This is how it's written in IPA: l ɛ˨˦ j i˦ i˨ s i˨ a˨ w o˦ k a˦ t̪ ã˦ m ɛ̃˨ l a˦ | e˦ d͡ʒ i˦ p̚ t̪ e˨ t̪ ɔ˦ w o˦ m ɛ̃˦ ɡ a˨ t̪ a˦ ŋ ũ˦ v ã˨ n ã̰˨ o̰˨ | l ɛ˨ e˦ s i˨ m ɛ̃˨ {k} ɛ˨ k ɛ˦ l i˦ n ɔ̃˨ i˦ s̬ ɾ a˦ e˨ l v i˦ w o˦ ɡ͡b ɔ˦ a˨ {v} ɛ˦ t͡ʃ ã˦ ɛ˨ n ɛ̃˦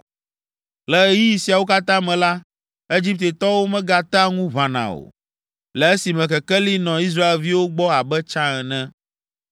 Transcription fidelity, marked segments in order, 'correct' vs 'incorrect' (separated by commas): correct, incorrect